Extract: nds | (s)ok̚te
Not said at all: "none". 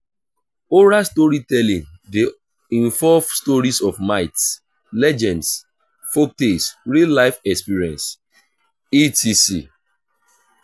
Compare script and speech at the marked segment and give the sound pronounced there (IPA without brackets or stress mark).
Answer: f